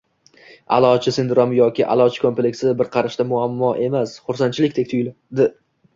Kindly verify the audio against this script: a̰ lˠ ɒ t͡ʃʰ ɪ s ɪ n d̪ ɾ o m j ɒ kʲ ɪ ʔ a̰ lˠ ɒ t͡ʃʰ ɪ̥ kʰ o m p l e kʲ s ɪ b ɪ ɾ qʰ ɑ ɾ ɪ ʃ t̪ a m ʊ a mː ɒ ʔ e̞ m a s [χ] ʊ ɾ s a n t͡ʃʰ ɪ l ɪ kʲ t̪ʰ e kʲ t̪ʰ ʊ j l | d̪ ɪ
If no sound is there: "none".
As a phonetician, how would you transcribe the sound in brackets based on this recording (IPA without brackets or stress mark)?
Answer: χ